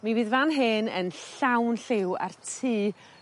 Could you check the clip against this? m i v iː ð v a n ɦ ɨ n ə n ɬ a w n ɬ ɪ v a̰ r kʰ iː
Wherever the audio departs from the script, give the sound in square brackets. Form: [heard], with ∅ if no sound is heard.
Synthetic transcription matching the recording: m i v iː ð v a n ɦ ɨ n ə n ɬ a w n ɬ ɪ [w] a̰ r [tʰ] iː